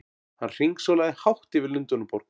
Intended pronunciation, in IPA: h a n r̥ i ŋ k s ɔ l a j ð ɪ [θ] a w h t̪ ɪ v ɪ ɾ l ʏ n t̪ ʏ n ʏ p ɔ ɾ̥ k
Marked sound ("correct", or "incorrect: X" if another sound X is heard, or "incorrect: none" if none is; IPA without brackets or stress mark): incorrect: h